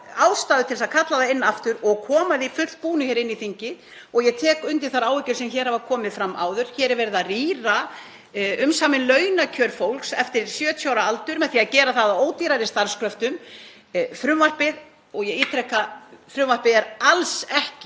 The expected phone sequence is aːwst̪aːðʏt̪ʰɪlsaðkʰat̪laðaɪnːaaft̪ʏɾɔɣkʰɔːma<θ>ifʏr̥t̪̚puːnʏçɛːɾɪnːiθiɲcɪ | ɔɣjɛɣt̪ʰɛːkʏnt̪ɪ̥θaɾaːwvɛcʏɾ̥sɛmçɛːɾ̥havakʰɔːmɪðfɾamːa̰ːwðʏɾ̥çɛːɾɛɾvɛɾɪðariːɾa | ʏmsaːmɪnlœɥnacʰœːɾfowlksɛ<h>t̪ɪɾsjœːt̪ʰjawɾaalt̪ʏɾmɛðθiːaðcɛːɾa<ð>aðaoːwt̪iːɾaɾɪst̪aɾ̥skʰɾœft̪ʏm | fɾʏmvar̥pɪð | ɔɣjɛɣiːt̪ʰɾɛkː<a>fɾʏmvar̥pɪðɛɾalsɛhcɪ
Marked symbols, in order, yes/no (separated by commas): no, no, no, yes